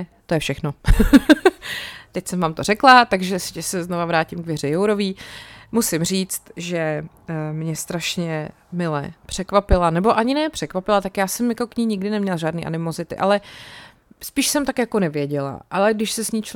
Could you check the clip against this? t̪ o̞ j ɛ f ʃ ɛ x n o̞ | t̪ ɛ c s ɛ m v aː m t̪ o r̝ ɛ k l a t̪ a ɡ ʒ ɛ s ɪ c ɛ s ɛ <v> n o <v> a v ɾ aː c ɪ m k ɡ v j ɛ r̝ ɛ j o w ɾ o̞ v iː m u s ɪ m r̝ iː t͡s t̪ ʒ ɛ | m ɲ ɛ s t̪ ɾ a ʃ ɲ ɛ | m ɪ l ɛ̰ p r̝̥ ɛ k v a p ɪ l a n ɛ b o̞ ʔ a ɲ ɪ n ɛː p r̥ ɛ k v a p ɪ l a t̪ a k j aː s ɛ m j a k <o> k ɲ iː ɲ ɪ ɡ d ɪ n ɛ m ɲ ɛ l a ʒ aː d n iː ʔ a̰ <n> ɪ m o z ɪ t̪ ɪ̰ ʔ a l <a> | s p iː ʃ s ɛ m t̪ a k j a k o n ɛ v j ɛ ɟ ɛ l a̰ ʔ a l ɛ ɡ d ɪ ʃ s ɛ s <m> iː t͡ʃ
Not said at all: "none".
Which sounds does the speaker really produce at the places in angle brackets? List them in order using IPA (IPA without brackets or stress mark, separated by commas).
z, v, o, n, ɛ, ɲ